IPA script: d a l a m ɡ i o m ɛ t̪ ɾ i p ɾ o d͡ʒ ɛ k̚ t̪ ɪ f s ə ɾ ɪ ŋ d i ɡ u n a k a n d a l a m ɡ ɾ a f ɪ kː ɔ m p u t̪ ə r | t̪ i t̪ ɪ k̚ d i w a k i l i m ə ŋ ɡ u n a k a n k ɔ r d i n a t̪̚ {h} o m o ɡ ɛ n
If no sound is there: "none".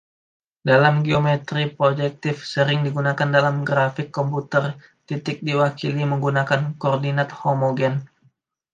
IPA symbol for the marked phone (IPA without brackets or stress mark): h